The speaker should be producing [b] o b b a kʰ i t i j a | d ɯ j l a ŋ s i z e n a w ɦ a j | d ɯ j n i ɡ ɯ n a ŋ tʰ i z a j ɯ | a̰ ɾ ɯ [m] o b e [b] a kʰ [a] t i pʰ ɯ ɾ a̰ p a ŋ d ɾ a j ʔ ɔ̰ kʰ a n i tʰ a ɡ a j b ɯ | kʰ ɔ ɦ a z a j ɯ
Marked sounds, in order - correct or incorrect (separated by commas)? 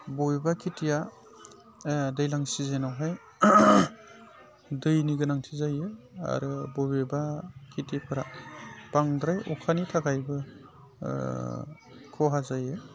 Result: correct, incorrect, correct, incorrect